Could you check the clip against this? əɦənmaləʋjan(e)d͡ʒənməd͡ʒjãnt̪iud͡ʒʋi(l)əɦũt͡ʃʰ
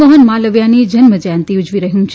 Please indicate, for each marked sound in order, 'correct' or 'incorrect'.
incorrect, incorrect

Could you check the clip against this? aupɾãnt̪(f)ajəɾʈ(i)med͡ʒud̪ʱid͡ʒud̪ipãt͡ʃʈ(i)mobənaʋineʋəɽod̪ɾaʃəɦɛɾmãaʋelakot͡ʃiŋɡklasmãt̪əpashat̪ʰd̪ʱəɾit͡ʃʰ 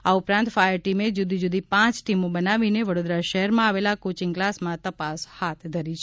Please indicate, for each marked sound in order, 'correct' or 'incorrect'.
correct, correct, correct

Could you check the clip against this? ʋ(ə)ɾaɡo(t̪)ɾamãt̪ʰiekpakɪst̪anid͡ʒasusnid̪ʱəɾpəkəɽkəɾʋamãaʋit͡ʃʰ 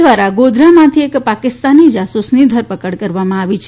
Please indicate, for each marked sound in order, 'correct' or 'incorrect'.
incorrect, incorrect

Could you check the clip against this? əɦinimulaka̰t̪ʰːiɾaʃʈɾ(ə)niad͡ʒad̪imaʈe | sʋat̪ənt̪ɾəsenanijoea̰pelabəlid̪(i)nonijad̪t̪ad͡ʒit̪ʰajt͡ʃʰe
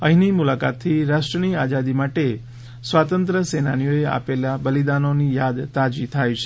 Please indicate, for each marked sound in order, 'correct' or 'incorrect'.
correct, incorrect

